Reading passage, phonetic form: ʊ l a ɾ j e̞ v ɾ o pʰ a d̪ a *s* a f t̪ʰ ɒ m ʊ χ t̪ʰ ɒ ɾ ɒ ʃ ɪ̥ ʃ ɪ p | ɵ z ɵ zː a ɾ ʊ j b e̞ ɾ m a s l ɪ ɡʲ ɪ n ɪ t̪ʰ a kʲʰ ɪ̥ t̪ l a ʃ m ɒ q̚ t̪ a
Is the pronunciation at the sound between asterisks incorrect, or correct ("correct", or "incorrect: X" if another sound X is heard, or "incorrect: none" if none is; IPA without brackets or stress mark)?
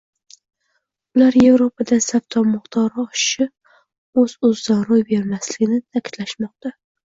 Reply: correct